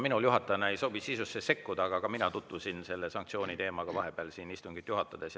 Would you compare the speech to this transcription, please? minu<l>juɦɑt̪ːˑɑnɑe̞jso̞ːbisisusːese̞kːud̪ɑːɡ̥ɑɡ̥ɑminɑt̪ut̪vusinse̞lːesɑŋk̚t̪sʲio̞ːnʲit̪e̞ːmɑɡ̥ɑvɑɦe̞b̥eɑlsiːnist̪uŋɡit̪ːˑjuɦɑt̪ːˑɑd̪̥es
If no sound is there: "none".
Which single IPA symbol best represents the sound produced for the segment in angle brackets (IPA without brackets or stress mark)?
l